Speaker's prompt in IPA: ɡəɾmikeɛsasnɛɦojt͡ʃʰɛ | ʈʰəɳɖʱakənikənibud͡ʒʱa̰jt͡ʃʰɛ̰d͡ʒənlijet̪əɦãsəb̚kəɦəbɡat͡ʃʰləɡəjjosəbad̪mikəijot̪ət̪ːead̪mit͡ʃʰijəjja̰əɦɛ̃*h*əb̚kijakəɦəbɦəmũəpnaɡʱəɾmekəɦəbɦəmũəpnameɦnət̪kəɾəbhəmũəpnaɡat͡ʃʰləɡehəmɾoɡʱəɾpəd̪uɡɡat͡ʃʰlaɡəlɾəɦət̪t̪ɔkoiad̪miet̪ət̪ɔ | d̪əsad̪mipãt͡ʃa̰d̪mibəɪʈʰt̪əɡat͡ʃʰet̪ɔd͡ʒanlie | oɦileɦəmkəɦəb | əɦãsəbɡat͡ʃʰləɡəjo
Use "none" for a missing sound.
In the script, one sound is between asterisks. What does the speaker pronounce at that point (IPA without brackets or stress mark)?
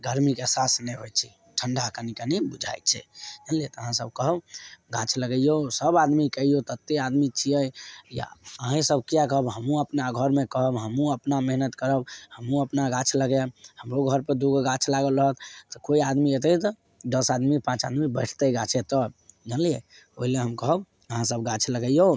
s